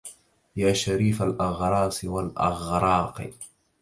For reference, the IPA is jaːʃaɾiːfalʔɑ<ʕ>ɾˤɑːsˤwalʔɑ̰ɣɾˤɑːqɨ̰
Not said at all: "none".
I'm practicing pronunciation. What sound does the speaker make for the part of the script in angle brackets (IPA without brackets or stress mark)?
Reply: ɣ